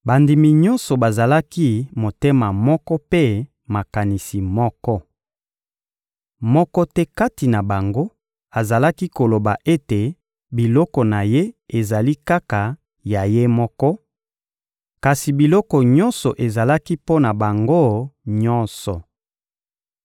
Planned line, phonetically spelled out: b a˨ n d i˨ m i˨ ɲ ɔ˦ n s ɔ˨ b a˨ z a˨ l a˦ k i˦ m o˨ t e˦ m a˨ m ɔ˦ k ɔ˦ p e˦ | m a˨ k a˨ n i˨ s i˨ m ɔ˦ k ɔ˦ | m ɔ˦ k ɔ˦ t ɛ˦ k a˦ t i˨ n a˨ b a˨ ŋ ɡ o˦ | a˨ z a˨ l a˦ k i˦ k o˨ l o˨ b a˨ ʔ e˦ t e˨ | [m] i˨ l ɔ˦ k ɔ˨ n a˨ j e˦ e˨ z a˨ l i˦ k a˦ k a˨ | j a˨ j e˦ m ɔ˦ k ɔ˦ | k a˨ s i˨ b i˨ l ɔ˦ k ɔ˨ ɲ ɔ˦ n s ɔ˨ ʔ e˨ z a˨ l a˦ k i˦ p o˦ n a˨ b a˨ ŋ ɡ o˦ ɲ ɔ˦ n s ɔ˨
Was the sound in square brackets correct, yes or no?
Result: no